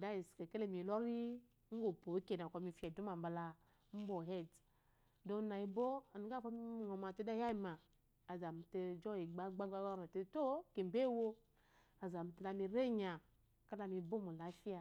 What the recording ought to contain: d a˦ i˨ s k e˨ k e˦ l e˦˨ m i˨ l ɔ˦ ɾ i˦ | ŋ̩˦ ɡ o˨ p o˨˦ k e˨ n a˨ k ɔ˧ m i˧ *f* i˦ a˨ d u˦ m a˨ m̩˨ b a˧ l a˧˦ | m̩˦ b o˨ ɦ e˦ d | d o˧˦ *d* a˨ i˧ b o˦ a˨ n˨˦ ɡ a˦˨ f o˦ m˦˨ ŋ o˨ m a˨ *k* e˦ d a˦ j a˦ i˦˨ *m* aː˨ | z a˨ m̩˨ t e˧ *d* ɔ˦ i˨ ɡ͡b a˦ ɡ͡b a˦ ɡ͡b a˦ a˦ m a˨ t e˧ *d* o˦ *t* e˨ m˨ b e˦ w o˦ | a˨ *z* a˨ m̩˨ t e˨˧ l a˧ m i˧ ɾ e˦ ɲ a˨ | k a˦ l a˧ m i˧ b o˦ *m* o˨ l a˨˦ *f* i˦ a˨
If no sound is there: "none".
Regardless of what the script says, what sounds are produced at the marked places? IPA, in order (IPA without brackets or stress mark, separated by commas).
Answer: f, n, t, m, d͡ʒ, t, k, z, m, f